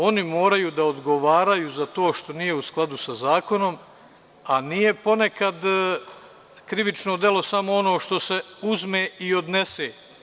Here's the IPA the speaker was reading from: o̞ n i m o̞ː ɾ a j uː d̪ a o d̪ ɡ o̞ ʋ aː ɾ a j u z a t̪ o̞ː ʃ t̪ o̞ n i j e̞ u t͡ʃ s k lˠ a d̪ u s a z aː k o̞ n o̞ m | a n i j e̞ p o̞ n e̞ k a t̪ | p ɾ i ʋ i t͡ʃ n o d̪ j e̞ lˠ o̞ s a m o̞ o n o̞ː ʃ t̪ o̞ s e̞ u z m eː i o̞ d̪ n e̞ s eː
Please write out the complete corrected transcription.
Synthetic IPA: o̞ n i m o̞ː ɾ a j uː d̪ a o d̪ ɡ o̞ ʋ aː ɾ a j u z a t̪ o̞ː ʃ t̪ o̞ n i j e̞ u s k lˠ a d̪ u s a z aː k o̞ n o̞ m | a n i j e̞ p o̞ n e̞ k a d̪ | k ɾ i ʋ i t͡ʃ n o d̪ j e̞ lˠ o̞ s a m o̞ o n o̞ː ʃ t̪ o̞ s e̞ u z m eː i o̞ d̪ n e̞ s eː